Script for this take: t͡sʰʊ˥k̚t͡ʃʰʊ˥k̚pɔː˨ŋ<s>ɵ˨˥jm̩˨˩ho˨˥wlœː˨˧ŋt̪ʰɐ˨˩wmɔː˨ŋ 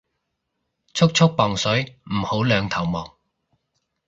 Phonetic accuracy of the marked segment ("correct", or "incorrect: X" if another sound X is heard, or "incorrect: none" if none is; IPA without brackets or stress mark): correct